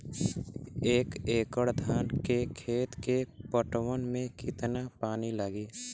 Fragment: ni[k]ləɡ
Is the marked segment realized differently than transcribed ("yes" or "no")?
yes